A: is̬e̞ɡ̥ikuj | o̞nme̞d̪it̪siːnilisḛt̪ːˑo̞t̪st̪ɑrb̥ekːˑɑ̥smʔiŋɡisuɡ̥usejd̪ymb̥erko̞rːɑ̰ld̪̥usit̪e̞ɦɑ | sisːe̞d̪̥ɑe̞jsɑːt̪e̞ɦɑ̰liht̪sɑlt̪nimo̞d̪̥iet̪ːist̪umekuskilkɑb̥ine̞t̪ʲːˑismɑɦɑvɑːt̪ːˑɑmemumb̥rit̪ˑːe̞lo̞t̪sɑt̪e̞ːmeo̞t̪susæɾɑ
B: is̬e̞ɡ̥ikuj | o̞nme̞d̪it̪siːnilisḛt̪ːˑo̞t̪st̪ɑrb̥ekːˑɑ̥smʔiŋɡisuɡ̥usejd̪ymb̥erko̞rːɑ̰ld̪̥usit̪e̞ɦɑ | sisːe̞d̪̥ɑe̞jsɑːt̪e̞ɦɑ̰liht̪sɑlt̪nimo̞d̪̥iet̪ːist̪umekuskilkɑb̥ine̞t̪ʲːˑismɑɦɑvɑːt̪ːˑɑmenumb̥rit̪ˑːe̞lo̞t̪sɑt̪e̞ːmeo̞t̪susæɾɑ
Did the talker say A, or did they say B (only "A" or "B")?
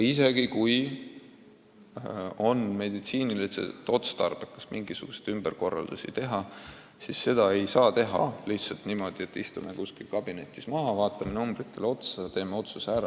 B